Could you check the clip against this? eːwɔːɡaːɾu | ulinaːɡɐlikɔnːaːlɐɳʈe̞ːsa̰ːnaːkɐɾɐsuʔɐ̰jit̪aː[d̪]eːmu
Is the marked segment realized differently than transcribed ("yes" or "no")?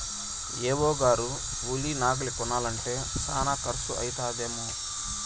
no